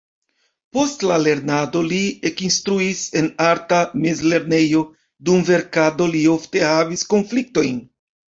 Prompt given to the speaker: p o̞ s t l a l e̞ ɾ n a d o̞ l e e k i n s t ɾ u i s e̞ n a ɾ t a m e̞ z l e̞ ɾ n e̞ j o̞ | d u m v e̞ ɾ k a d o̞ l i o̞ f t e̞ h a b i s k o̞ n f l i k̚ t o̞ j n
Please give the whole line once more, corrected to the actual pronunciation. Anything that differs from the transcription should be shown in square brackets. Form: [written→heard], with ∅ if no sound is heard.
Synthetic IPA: p o̞ s t l a l e̞ ɾ n a d o̞ l [e→i] e k i n s t ɾ u i s e̞ n a ɾ t a m e̞ z l e̞ ɾ n e̞ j o̞ | d u m v e̞ ɾ k a d o̞ l i o̞ f t e̞ h a [b→v] i s k o̞ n f l i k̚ t o̞ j n